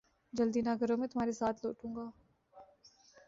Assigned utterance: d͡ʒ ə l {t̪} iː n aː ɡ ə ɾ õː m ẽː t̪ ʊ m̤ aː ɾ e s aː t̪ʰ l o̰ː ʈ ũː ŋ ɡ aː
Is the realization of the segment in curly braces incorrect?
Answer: yes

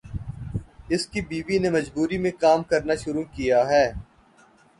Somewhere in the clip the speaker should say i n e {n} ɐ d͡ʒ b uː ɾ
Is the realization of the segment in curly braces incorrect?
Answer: yes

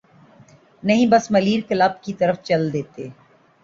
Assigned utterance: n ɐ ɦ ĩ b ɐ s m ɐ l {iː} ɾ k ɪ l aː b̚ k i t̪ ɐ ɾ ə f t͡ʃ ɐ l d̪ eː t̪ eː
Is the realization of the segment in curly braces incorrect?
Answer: no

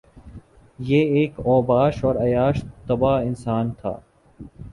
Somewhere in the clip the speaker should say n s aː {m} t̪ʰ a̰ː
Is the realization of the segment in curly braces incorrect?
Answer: yes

